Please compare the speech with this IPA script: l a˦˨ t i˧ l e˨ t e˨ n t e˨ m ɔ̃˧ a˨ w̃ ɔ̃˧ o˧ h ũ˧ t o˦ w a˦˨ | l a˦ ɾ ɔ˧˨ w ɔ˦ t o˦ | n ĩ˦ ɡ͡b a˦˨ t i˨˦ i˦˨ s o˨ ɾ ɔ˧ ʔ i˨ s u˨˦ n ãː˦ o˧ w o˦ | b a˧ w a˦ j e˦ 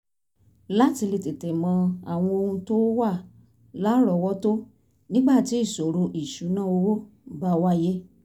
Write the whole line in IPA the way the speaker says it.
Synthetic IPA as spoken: l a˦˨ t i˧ l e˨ t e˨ t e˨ m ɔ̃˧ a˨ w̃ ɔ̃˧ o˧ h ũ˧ t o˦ w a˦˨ | l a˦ ɾ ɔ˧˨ w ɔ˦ t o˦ | n ĩ˦ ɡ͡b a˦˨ t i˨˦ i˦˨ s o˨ ɾ o˧ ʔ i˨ ʃ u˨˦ n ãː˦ o˧ w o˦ | b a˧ w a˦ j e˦